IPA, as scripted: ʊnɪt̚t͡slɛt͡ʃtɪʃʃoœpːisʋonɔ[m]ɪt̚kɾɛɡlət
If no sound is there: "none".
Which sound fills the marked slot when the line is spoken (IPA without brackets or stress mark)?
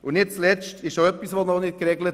n